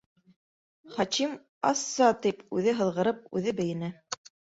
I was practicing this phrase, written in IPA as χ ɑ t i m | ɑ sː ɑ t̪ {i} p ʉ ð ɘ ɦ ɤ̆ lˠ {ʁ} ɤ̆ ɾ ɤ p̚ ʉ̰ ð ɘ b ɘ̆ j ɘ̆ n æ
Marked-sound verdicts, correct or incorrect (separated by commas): correct, correct